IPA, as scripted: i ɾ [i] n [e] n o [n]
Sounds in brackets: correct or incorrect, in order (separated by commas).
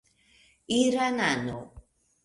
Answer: incorrect, incorrect, incorrect